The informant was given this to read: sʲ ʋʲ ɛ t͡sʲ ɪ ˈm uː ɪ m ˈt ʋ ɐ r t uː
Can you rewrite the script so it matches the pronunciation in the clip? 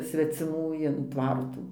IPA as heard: sʲ ʋʲ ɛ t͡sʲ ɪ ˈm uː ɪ n ˈt ʋ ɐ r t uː